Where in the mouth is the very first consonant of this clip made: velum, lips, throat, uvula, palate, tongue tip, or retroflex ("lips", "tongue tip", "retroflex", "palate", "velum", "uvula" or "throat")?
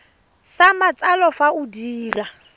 tongue tip